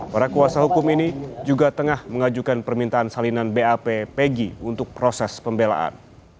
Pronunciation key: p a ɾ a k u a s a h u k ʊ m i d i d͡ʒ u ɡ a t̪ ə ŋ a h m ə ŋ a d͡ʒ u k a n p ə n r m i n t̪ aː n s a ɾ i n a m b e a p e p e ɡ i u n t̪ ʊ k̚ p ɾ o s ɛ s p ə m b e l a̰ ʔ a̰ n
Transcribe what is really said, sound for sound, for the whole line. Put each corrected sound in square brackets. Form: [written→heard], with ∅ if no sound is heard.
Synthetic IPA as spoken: p a ɾ a k u a s a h u k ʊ m i [d→n] i d͡ʒ u ɡ a t̪ ə ŋ a h m ə ŋ a d͡ʒ u k a n p ə [n→∅] r m i n t̪ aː n s a [ɾ→l] i n a [m→n] b e a p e p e ɡ i u n t̪ ʊ k̚ p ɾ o s ɛ s p ə m b e l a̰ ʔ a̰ n